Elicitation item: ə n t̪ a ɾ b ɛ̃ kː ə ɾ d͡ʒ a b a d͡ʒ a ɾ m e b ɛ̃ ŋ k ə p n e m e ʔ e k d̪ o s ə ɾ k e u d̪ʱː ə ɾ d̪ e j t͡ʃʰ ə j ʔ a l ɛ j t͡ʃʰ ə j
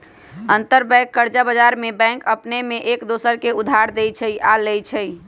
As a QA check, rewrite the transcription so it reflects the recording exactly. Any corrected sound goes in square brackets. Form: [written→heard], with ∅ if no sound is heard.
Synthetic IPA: ə n t̪ [a→ə] ɾ b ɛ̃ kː ə ɾ d͡ʒ a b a d͡ʒ a ɾ m e b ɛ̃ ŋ k ə p n e m e ʔ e k d̪ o s ə ɾ k e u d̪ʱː [ə→a] ɾ d̪ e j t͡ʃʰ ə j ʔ a l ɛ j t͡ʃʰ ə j